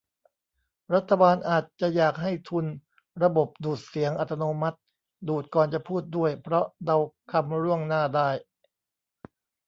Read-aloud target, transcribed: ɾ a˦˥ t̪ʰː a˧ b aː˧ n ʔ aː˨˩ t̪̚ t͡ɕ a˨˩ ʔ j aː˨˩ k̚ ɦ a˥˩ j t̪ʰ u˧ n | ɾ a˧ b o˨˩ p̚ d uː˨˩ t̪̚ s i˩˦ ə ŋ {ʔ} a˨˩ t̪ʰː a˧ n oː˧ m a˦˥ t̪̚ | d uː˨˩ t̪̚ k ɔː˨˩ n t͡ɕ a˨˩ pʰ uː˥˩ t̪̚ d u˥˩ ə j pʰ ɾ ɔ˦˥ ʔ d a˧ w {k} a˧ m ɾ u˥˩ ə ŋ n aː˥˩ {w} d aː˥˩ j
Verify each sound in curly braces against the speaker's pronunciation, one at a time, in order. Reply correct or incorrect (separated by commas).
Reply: correct, incorrect, incorrect